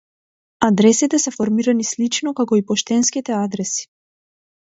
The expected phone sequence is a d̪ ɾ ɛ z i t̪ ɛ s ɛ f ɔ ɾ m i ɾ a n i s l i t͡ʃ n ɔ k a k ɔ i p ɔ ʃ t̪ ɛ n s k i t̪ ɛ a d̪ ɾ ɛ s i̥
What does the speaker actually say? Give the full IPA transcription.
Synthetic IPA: a d̪ ɾ ɛ s i t̪ ɛ s ɛ f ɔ ɾ m i ɾ a n i s l i t͡ʃ n ɔ k a k ɔ i p ɔ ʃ t̪ ɛ n s k i t̪ ɛ a d̪ ɾ ɛ s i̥